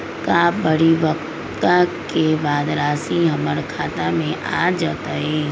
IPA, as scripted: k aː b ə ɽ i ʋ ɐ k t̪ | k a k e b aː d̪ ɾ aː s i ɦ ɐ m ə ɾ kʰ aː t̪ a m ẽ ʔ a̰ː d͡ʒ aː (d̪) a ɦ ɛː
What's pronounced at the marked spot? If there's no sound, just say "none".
t̪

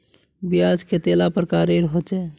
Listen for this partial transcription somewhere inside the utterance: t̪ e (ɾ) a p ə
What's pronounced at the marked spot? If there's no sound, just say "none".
l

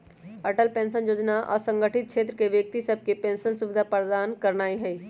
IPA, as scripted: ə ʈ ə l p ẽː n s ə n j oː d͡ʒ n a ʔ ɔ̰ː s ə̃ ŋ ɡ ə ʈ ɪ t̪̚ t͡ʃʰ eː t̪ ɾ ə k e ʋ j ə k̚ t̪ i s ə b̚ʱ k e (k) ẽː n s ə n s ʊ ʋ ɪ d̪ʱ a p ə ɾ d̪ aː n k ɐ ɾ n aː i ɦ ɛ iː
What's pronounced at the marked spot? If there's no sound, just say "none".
p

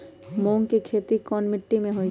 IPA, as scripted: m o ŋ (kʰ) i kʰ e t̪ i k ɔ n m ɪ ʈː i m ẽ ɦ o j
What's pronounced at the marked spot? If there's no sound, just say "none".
k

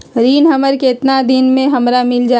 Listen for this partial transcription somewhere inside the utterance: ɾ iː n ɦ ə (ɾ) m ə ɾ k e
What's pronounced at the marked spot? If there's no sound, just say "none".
none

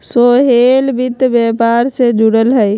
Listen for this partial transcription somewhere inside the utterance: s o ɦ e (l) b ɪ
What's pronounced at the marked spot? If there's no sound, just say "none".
l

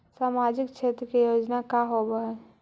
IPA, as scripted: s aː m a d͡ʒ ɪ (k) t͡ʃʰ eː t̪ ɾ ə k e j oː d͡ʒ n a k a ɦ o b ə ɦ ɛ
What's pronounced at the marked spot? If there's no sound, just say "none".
k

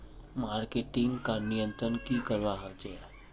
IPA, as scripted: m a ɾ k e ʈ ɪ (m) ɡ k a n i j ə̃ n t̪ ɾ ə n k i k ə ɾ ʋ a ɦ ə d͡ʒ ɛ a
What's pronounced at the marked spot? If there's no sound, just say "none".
ŋ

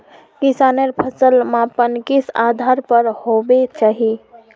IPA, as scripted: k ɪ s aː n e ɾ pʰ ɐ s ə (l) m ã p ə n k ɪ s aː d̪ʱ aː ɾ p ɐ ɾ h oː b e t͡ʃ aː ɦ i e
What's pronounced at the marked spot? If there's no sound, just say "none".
l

